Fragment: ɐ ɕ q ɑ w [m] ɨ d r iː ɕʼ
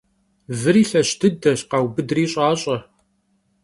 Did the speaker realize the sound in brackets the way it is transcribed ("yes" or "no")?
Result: no